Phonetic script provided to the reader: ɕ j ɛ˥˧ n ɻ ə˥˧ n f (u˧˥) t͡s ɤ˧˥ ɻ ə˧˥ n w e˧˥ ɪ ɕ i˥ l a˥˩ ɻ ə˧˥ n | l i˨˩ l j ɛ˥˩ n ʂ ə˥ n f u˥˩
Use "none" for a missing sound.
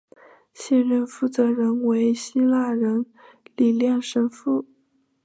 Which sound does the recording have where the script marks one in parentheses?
u˥˩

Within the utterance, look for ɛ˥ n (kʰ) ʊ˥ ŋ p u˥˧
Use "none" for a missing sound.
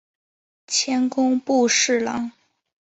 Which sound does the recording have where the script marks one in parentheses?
k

